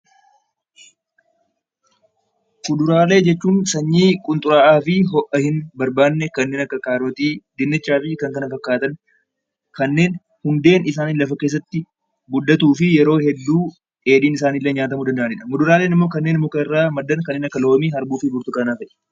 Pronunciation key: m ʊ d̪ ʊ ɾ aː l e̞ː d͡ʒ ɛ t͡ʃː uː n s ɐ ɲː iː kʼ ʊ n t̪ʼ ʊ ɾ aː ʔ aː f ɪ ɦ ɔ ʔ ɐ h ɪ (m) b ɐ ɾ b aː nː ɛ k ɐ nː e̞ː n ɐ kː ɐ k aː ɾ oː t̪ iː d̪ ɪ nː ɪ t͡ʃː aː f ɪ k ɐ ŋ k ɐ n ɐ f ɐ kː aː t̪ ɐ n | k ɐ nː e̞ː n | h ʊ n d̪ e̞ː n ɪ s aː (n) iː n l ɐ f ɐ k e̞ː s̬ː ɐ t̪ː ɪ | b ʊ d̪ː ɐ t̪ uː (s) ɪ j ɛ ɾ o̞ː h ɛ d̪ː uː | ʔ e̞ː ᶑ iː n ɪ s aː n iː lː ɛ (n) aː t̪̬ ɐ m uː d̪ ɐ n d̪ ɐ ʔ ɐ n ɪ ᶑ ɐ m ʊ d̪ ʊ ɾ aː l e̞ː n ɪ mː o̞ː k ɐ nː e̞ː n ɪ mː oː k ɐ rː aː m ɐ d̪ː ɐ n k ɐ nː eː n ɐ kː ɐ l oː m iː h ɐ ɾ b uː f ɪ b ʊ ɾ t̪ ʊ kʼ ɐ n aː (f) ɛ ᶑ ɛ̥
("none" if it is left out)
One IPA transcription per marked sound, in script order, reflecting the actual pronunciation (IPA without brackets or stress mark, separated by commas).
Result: n, n, f, ɲ, f